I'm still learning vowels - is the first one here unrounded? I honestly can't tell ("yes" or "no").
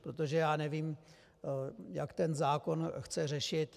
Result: no